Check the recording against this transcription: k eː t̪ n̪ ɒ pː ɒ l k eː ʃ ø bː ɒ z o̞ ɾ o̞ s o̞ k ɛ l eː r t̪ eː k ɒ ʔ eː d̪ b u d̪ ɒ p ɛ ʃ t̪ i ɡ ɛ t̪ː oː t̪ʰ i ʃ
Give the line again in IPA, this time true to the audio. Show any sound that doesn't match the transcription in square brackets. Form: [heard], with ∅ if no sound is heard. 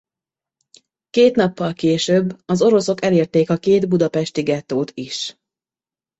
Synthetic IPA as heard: k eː t̪ n̪ ɒ pː ɒ l k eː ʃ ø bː ɒ z o̞ ɾ o̞ s o̞ k ɛ l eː r t̪ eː k ɒ [k] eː d̪ b u d̪ ɒ p ɛ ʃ t̪ i ɡ ɛ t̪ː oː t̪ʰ i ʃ